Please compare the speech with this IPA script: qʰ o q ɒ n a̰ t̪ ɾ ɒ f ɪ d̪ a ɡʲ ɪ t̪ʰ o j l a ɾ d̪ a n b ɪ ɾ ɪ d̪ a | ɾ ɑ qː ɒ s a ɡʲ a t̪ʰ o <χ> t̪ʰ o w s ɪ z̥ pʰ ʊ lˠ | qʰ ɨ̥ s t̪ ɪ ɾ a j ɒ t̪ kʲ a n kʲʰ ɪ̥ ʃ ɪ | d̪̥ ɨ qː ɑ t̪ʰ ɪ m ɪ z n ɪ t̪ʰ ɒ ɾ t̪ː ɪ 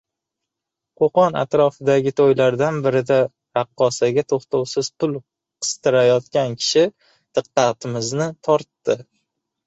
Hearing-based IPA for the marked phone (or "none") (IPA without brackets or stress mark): χ